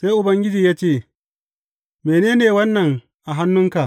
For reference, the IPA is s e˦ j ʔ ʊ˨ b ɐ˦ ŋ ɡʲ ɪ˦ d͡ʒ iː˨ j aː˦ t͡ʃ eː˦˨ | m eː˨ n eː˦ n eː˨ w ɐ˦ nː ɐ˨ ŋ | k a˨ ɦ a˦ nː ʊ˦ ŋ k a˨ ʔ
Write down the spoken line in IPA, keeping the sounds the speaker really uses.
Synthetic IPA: s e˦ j ʔ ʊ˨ b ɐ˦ ŋ ɡʲ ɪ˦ d͡ʒ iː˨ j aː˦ t͡ʃ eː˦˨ | m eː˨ n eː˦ n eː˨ w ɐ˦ nː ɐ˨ ŋ | ʔ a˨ ɦ a˦ nː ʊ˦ ŋ k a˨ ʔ